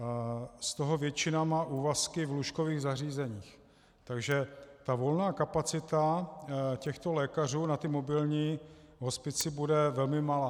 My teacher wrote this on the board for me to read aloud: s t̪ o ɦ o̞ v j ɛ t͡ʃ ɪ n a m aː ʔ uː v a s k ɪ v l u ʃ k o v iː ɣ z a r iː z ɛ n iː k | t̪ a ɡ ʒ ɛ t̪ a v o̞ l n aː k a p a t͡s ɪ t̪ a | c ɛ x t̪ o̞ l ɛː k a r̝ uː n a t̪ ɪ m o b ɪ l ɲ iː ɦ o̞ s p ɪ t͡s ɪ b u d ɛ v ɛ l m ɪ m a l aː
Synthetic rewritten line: s t̪ o ɦ o̞ v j ɛ t͡ʃ ɪ n a m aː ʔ uː v a s k ɪ v l u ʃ k o v iː ɣ z a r iː z ɛ ɲ iː x | t̪ a ɡ ʒ ɛ t̪ a v o̞ l n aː k a p a t͡s ɪ t̪ a | c ɛ x t̪ o̞ l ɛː k a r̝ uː n a t̪ ɪ m o b ɪ l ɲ iː ɦ o̞ s p ɪ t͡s ɪ b u d ɛ v ɛ l m ɪ m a l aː